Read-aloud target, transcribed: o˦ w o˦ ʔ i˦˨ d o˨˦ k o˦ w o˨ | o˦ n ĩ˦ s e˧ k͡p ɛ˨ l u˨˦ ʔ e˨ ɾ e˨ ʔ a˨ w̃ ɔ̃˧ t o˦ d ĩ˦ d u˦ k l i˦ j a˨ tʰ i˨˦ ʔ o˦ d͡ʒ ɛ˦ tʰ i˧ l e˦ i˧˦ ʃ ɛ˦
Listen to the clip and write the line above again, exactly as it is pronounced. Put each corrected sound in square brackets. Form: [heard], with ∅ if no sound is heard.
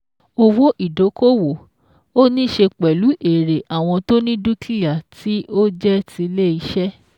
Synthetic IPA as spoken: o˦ w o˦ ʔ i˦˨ d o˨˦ k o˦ w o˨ | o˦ n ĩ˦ [ʃ] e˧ k͡p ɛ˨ l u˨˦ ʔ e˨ ɾ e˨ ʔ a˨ w̃ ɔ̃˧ t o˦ [n] ĩ˦ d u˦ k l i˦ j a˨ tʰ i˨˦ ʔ o˦ d͡ʒ ɛ˦ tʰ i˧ l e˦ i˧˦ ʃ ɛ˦